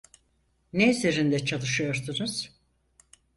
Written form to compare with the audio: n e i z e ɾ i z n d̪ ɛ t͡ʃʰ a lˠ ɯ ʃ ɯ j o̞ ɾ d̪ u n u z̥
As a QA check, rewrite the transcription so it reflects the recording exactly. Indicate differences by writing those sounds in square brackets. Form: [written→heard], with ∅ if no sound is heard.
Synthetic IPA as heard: n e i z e ɾ i [z→∅] n d̪ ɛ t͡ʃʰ a lˠ ɯ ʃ ɯ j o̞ ɾ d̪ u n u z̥